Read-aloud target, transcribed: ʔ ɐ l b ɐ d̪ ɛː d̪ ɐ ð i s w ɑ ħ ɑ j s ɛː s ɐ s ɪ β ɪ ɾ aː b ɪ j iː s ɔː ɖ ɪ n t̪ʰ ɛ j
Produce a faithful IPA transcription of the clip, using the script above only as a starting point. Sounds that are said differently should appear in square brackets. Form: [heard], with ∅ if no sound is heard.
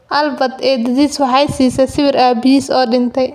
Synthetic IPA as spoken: ʔ ɐ l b ɐ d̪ ɛː d̪ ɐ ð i s w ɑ ħ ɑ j s [iː] s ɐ s ɪ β ɪ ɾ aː b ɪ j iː s ɔː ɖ ɪ n t̪ʰ ɛ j